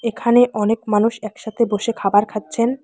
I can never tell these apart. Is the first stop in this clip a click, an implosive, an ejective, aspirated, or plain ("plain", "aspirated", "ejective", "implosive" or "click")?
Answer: aspirated